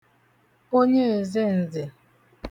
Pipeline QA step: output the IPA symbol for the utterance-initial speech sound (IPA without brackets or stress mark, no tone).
o